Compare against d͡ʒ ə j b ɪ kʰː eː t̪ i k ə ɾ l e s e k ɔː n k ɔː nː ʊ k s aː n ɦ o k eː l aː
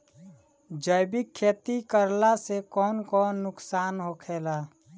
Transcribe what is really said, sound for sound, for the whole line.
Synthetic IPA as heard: d͡ʒ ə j b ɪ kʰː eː t̪ i k ə ɾ l a s e k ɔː n k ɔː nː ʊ k s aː n ɦ o kʰ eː l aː